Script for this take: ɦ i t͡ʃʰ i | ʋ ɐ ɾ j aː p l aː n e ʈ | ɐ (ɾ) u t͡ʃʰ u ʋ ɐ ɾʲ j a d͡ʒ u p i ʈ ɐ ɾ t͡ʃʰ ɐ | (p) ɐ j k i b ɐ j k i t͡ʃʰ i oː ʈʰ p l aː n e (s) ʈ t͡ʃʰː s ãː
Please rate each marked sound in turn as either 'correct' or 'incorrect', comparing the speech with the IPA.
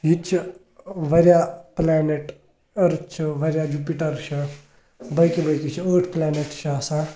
correct, incorrect: b, incorrect: none

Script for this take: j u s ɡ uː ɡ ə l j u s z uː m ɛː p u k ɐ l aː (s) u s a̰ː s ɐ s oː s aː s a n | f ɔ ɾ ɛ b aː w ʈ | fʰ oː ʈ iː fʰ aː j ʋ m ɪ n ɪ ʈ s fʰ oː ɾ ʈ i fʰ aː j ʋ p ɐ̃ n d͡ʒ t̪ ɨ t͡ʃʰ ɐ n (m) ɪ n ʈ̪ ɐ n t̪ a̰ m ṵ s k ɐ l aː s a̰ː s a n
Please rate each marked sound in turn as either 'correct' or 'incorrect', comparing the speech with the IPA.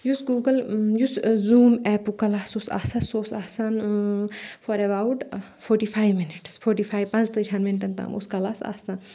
correct, correct

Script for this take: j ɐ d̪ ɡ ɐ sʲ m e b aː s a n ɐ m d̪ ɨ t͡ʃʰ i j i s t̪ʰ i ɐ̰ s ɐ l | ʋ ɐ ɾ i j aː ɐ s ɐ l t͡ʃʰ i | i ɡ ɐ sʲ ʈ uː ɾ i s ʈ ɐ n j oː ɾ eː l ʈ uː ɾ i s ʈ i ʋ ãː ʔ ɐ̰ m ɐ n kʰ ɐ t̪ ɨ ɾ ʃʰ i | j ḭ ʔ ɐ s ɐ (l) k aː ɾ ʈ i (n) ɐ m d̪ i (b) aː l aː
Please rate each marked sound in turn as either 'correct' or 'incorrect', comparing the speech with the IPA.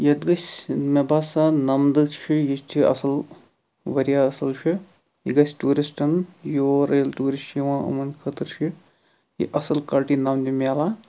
correct, correct, incorrect: m

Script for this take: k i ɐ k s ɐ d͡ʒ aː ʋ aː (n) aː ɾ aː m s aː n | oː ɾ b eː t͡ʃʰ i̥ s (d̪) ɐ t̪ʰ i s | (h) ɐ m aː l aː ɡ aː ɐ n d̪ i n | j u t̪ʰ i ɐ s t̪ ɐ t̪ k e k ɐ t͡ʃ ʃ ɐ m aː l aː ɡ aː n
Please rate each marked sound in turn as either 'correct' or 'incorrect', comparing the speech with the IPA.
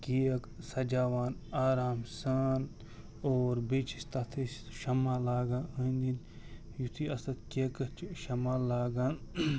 correct, incorrect: t̪, incorrect: ʃ

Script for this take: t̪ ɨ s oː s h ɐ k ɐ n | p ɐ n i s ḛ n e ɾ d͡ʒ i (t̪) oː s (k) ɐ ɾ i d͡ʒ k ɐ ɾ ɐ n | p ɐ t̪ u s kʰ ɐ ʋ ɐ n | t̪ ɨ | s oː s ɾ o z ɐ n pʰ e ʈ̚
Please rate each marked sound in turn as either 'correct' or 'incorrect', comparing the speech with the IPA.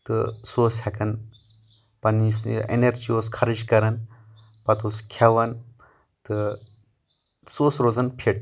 incorrect: none, incorrect: kʰ

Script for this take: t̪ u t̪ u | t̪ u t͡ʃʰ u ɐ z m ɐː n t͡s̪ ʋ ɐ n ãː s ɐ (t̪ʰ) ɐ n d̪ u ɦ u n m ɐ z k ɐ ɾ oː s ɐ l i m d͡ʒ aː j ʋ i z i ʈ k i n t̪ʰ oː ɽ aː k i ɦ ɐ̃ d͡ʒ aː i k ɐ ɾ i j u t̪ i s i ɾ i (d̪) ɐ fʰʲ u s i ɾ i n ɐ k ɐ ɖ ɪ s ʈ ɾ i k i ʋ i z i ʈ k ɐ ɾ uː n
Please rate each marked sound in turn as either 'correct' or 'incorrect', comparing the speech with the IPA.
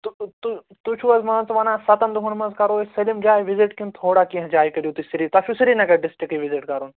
incorrect: t̪, incorrect: t̪

